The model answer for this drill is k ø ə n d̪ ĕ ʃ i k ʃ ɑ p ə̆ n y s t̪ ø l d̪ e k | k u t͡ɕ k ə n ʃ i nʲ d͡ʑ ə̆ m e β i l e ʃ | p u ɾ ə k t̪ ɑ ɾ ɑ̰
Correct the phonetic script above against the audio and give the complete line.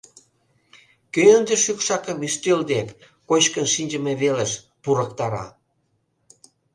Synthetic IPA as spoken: k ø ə n d̪ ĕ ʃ y k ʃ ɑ k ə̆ m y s t̪ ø l d̪ e k | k o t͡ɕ k ə n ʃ i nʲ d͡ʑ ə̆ m e β e l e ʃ | p u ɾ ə k t̪ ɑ ɾ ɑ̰